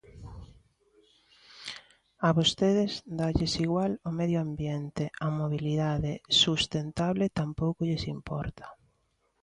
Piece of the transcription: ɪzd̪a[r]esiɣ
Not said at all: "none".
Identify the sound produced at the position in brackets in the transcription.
ʎ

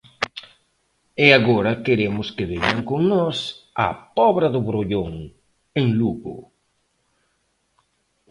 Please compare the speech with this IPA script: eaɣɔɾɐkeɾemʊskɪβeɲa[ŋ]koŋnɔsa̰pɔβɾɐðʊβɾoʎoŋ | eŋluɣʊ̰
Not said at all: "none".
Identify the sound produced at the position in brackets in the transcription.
ŋ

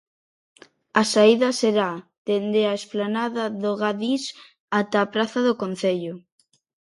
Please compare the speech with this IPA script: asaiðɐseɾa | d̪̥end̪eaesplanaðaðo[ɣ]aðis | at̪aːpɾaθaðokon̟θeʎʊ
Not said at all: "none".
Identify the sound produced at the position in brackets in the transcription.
ɣ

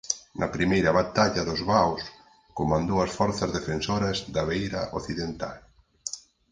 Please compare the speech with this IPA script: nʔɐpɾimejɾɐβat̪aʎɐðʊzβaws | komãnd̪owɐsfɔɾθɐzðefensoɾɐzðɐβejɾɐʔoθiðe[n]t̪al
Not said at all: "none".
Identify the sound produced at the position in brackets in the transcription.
n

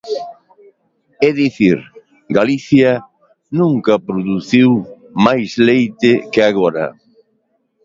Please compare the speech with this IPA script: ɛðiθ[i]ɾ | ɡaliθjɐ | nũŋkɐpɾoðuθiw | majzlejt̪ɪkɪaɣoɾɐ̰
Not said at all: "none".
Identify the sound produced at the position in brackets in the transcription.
i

